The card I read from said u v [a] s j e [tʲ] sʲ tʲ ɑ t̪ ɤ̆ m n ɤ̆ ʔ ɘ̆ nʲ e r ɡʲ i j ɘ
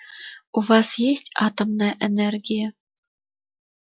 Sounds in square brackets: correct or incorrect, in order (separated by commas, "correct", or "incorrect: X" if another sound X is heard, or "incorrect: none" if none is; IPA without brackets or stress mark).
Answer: incorrect: ɑ, incorrect: none